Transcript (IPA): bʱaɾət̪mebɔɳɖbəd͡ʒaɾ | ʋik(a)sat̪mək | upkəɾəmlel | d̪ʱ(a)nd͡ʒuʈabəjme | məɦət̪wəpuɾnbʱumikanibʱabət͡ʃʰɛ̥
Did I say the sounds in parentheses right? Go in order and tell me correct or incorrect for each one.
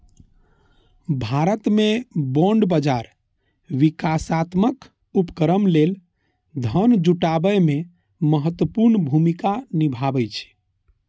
correct, incorrect: ə

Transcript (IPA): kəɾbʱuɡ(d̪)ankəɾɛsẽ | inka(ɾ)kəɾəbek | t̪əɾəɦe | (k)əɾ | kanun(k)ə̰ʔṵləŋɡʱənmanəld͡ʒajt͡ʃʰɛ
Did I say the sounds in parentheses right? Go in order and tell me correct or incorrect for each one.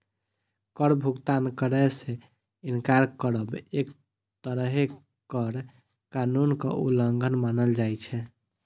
incorrect: t̪, correct, correct, correct

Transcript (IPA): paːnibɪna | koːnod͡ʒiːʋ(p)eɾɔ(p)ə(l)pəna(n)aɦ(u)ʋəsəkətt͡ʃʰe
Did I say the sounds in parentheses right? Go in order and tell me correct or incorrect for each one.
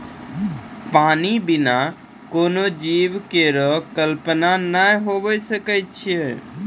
incorrect: k, incorrect: k, correct, correct, incorrect: o

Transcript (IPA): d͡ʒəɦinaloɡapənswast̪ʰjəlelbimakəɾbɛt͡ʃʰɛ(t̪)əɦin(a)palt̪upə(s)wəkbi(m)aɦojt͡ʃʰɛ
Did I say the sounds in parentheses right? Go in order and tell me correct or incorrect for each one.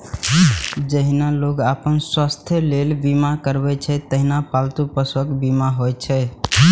correct, correct, correct, correct

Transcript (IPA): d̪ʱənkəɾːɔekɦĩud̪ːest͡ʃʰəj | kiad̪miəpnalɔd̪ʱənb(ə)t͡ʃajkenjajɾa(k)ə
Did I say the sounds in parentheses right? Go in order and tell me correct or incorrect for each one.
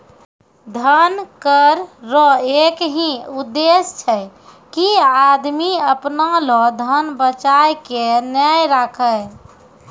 correct, incorrect: kʰ

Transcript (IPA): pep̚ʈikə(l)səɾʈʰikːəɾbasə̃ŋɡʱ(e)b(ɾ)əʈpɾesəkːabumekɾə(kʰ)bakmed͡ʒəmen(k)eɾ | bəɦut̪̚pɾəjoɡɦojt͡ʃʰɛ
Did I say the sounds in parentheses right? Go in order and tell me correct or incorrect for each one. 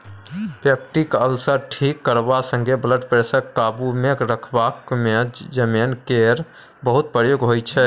correct, correct, incorrect: l, correct, correct

